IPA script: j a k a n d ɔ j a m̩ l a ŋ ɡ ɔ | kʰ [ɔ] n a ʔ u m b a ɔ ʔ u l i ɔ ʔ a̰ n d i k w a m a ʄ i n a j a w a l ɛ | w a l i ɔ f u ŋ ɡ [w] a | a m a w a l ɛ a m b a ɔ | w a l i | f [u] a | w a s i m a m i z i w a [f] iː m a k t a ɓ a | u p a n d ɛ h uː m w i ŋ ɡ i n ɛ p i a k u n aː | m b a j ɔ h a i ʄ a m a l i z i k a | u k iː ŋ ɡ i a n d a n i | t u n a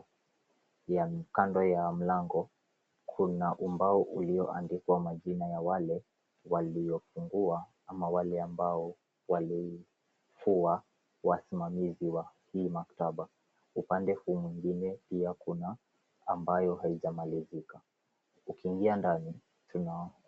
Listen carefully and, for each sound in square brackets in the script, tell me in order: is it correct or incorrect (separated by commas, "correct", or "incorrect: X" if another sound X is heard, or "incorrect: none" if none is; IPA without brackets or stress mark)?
incorrect: u, incorrect: u, correct, incorrect: h